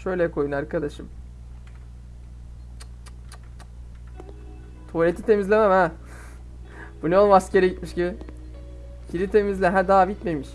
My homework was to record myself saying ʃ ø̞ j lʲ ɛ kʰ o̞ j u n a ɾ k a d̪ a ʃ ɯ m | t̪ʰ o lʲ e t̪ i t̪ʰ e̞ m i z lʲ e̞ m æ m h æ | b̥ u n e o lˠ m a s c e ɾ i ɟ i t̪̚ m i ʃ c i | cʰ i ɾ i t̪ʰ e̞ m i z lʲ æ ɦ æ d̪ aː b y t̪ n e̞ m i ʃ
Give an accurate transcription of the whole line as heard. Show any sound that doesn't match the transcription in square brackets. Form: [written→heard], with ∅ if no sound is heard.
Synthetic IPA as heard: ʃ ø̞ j lʲ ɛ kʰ o̞ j u n a ɾ k a d̪ a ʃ ɯ m | t̪ʰ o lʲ e t̪ i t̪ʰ e̞ m i z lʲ e̞ m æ m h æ | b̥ u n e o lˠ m a s c e ɾ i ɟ i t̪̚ m i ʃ c i | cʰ i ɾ i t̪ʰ e̞ m i z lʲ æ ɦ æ d̪ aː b [y→i] t̪ [n→m] e̞ m i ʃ